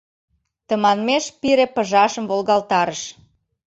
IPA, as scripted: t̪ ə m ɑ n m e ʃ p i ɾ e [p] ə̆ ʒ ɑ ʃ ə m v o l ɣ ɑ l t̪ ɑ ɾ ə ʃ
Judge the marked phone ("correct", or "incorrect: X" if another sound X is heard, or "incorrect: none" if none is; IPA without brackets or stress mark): correct